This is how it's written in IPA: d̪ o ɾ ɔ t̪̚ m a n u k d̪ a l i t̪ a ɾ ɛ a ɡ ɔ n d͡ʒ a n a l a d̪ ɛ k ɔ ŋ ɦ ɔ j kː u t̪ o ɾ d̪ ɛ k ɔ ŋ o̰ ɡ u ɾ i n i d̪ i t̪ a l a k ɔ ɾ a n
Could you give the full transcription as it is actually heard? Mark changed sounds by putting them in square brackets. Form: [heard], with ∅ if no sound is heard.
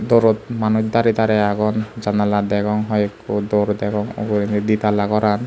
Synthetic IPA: d̪ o ɾ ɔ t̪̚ m a n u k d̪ a [ɾ] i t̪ a ɾ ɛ a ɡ ɔ n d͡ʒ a n a l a d̪ ɛ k ɔ ŋ ɦ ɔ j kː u [d̪] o ɾ d̪ ɛ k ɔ ŋ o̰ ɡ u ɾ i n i d̪ i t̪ a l a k ɔ ɾ a n